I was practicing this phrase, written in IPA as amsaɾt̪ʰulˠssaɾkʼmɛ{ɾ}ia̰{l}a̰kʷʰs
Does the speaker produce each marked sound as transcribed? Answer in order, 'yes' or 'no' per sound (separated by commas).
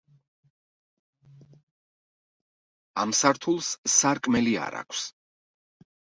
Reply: no, no